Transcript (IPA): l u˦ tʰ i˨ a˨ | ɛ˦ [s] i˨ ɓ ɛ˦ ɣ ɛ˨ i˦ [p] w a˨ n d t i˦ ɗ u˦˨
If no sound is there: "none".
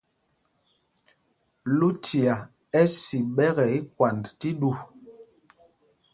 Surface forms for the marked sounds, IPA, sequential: s, k

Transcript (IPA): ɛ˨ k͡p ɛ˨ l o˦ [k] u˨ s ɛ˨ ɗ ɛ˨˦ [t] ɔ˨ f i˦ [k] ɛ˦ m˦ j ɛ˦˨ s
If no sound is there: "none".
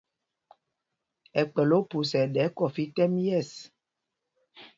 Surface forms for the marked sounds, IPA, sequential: p, k, t

